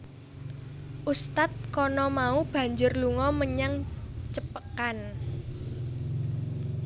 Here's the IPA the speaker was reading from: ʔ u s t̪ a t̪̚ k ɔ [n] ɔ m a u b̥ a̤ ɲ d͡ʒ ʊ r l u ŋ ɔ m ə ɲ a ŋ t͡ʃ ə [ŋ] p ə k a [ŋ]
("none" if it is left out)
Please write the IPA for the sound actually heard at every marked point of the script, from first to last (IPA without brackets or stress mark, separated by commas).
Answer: n, none, n